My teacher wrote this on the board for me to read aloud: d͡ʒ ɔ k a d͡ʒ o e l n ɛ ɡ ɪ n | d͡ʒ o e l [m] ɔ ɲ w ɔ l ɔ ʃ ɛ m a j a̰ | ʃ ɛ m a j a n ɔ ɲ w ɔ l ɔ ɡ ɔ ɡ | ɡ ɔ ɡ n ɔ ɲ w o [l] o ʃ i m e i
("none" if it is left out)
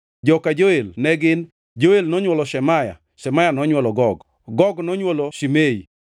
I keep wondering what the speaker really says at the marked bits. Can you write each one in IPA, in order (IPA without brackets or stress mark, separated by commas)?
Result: n, l